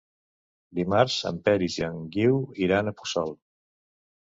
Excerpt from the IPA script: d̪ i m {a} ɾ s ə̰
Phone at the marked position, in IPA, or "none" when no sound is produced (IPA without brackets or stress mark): a